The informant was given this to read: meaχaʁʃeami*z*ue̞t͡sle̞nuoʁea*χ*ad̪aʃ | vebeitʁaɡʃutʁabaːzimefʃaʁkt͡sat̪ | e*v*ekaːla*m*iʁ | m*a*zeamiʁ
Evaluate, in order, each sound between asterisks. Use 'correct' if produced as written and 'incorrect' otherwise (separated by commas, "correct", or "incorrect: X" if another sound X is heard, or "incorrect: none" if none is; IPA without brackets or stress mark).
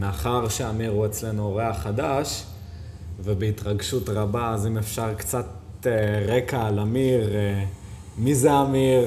incorrect: ʁ, correct, incorrect: ʁ, correct, incorrect: i